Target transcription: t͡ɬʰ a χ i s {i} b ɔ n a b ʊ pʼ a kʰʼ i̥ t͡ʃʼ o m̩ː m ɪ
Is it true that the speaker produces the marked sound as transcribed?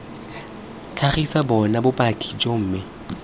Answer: no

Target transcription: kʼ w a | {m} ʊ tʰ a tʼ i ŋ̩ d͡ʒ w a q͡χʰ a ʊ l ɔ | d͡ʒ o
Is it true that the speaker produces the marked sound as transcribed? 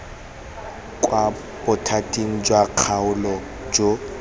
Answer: no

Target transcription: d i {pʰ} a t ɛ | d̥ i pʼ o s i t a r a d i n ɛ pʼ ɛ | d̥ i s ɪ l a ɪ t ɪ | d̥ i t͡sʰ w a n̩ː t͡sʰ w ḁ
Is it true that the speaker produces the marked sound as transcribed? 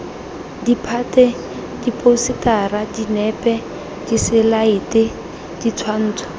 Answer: yes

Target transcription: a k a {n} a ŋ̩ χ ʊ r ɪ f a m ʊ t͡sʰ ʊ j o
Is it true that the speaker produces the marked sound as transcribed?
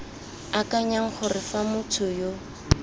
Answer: no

